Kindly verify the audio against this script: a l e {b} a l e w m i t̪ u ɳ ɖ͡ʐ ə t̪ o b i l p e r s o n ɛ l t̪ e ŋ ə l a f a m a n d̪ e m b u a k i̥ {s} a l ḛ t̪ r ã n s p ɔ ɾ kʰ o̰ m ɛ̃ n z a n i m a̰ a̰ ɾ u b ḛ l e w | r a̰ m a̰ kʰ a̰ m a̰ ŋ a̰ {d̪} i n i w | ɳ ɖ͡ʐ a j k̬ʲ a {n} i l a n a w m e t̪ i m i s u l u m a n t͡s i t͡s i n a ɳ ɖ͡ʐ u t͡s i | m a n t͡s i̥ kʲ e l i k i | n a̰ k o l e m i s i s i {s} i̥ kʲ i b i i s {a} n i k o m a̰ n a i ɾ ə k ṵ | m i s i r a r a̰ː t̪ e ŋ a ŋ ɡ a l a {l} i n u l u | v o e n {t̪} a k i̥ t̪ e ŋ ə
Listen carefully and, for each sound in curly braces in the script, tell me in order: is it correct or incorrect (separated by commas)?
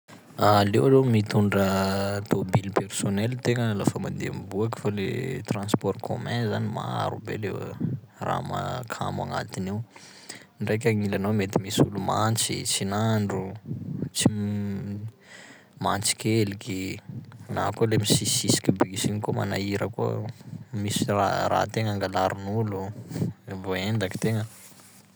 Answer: incorrect, incorrect, incorrect, incorrect, correct, incorrect, incorrect, incorrect